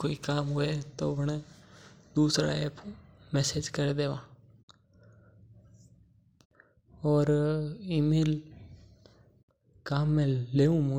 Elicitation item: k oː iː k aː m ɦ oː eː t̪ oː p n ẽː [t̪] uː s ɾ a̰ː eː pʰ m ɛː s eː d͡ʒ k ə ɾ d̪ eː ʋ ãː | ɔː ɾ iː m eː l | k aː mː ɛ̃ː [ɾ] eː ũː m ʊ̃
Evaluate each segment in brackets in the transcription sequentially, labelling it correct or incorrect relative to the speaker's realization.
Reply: incorrect, incorrect

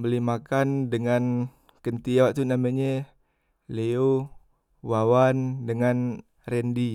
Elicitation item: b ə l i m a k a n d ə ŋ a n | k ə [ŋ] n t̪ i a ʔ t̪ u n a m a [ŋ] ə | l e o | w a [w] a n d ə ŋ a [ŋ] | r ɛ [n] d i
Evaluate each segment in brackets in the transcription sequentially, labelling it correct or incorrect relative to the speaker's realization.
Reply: incorrect, incorrect, correct, incorrect, correct

